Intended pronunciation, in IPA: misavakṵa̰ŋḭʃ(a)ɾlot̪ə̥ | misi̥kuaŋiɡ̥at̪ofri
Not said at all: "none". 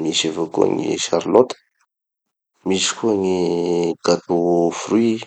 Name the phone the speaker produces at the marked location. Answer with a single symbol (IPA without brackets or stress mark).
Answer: a